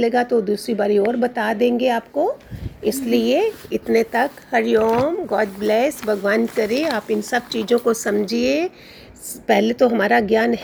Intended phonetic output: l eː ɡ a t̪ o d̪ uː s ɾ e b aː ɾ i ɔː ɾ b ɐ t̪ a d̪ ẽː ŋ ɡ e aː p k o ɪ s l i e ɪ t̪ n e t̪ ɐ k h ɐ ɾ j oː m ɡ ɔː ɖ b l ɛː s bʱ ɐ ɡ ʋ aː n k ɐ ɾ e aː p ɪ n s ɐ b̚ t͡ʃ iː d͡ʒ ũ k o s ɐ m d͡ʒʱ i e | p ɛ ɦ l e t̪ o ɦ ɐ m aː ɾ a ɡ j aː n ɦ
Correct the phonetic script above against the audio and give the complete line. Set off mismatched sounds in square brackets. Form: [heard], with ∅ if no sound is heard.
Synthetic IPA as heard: l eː ɡ a t̪ o d̪ uː s ɾ [i] b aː ɾ i ɔː ɾ b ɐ t̪ a d̪ ẽː ŋ ɡ e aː p k o ɪ s l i e ɪ t̪ n e t̪ ɐ k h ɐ ɾ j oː m ɡ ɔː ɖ b l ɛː s bʱ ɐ ɡ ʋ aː n k ɐ ɾ e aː p ɪ n s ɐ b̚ t͡ʃ iː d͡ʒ [õ] k o s ɐ m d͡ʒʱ i e | p ɛ ɦ l e t̪ o ɦ ɐ m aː ɾ a ɡ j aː n ɦ